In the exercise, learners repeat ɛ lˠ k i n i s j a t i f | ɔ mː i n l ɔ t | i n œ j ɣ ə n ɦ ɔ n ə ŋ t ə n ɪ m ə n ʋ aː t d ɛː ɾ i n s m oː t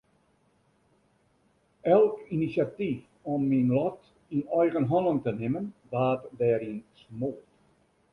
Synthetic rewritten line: ɛ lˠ k i n i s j a t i f | ɔ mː i n l ɔ t | i n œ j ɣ ə n ɦ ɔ n ə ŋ t ə n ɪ m ə n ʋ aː t d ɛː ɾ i n s m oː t